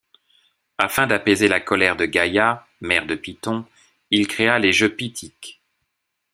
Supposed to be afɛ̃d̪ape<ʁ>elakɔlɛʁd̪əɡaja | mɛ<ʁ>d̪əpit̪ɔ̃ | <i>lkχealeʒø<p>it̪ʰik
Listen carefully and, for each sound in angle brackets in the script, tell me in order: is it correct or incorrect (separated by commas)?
incorrect, correct, correct, correct